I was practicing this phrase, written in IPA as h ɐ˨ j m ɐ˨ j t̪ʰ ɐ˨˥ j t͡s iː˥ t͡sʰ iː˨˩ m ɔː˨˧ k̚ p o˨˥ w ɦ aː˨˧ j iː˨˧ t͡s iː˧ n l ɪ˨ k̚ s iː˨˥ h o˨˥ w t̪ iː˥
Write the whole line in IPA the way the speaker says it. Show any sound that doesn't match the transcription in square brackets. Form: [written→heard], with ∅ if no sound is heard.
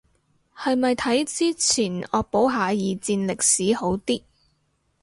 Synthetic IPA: h ɐ˨ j m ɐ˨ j t̪ʰ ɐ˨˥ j t͡s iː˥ t͡sʰ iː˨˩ [m→n] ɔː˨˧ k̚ p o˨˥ w ɦ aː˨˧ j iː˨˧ t͡s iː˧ n l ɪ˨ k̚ s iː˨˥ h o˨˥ w t̪ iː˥